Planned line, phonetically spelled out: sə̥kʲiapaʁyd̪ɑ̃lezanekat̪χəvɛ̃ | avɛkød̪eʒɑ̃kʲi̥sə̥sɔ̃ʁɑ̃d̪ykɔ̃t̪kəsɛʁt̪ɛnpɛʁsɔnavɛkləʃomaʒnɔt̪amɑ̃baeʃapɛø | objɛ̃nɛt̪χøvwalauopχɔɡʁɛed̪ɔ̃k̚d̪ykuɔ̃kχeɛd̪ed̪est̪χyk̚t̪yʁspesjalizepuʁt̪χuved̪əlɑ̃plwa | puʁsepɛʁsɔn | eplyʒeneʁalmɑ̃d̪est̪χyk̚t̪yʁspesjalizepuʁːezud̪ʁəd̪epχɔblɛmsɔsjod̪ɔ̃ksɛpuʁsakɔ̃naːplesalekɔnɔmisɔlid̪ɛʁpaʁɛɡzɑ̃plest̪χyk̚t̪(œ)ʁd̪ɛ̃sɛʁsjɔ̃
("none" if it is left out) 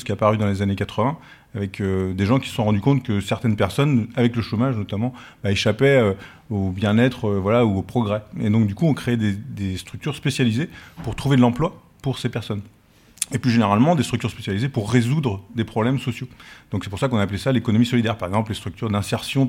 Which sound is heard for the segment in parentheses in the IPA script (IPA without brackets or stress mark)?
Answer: y